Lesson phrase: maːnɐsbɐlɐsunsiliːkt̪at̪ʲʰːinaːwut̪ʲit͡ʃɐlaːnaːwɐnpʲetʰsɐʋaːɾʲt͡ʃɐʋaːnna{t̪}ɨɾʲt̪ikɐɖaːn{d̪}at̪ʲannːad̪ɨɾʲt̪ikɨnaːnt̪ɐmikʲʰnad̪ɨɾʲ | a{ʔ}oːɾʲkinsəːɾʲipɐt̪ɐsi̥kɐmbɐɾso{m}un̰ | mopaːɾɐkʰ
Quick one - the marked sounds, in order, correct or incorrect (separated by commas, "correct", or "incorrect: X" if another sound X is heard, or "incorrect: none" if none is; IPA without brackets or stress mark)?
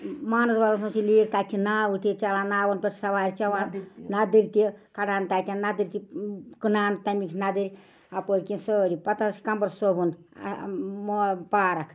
incorrect: d̪, incorrect: t̪, incorrect: p, incorrect: b